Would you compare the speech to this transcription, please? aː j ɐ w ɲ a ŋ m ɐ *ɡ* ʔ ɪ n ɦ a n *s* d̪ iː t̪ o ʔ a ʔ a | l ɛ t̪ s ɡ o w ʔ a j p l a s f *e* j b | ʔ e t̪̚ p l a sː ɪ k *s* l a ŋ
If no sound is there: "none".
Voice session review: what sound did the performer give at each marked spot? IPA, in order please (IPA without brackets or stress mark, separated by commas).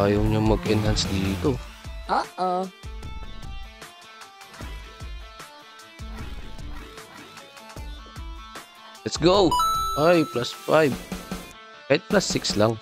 ɡ, s, a, s